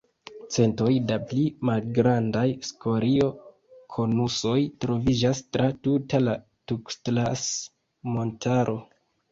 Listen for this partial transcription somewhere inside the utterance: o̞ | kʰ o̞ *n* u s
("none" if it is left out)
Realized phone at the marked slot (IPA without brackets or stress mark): n